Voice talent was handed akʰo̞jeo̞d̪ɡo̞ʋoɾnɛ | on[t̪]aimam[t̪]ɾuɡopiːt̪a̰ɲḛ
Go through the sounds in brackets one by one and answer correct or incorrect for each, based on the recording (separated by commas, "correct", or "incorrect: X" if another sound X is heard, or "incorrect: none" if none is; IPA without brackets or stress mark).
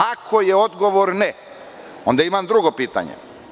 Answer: incorrect: d̪, incorrect: d̪